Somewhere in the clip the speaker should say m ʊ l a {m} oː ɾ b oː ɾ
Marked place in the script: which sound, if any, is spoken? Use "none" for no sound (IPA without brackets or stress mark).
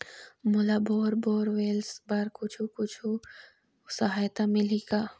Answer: b